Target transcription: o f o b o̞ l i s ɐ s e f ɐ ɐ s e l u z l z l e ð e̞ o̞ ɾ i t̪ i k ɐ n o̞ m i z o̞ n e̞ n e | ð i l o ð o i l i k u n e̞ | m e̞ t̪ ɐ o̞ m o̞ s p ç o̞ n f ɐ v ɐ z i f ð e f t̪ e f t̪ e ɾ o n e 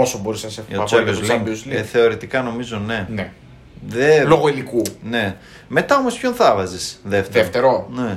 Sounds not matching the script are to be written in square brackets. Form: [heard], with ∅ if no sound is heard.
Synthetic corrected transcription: o [s] o b o̞ [ɾ] i s ɐ s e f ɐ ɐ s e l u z l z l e [θ] e̞ o̞ ɾ i t̪ i k ɐ n o̞ m i z o̞ n e̞ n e | ð [e] l o [ɣ] o i l i k u n e̞ | m e̞ t̪ ɐ o̞ m o̞ s p ç o̞ n [θ] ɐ v ɐ z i [s] ð e f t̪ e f t̪ e ɾ o n e